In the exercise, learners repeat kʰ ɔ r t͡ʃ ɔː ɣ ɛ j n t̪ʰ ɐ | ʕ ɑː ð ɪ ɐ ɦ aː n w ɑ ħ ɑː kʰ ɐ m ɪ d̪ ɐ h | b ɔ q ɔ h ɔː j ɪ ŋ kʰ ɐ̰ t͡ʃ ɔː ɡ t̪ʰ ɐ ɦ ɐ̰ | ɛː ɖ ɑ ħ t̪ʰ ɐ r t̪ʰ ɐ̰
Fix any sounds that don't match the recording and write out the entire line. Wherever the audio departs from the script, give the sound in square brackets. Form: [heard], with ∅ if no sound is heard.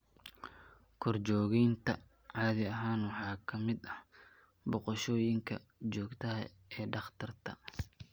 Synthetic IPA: kʰ ɔ r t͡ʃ ɔː ɣ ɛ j n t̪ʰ ɐ | ʕ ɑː ð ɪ ɐ ɦ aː n w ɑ ħ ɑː kʰ ɐ m ɪ d̪ ɐ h | b ɔ q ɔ [ʃ] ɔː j ɪ ŋ kʰ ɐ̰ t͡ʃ ɔː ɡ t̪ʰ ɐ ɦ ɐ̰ | ɛː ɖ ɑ [χ] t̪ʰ ɐ r t̪ʰ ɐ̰